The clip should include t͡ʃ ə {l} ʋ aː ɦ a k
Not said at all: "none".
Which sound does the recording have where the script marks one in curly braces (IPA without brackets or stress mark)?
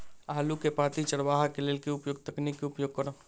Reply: ɽ